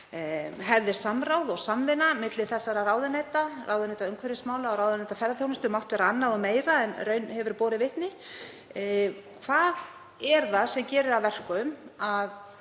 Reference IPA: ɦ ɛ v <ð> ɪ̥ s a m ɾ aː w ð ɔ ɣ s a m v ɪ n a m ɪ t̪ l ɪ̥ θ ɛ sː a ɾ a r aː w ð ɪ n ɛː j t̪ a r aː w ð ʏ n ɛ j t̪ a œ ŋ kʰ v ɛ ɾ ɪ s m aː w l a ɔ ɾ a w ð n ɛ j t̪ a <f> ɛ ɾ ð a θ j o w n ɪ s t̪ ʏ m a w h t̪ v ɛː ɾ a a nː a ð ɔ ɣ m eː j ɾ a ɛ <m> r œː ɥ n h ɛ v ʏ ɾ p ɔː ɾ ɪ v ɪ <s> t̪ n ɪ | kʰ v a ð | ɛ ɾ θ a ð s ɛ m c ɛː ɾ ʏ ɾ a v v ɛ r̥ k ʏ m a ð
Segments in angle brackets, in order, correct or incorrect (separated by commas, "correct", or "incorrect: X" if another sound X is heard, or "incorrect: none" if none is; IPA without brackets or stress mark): correct, correct, incorrect: n, incorrect: h